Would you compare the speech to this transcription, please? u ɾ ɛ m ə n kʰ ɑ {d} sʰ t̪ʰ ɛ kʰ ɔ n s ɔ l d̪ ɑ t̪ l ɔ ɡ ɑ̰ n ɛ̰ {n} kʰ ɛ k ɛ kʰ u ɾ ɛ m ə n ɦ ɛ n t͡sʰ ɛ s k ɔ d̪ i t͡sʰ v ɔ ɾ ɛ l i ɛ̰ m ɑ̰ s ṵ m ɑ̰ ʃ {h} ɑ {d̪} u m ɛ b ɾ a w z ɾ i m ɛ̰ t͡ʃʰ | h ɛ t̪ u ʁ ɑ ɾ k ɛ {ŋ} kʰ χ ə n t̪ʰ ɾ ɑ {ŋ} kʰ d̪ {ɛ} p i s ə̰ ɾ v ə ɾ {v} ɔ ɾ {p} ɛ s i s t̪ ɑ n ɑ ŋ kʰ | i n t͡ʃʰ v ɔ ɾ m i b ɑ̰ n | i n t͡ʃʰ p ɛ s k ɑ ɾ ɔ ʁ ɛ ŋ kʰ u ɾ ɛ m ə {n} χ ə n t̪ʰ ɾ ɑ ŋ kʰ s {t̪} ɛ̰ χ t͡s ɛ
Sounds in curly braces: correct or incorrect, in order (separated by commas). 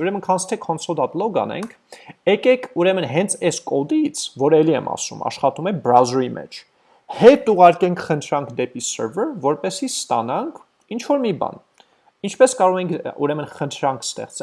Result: incorrect, incorrect, incorrect, incorrect, correct, correct, correct, correct, correct, correct, correct